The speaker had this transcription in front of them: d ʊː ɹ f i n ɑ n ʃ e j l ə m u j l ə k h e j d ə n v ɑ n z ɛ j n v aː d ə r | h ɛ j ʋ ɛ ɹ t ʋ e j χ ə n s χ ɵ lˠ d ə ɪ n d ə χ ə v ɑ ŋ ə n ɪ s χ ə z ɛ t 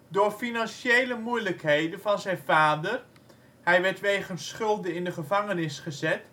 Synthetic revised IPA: d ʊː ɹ f i n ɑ n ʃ e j l ə m u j l ə k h e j d ə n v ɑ n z ɛ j n v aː d ə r | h ɛ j ʋ ɛ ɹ t ʋ e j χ ə n s χ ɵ lˠ d ə ɪ n d ə χ ə v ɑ ŋ ə n ɪ s χ ə z ɛ t